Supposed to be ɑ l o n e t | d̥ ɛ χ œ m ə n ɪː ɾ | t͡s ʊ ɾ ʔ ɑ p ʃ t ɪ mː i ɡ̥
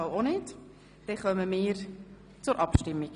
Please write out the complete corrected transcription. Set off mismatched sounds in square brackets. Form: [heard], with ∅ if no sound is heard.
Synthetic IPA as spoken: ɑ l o n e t | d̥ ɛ χ œ m ə [m] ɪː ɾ | t͡s ʊ ɾ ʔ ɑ p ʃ t ɪ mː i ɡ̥